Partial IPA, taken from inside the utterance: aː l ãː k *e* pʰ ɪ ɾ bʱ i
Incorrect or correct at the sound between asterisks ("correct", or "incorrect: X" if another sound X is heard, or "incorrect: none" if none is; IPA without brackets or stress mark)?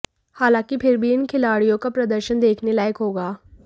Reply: incorrect: i